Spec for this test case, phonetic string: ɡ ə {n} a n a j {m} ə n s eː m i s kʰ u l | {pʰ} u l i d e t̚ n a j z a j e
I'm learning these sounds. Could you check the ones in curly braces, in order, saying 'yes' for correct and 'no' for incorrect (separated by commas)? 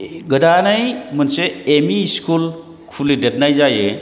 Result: no, yes, no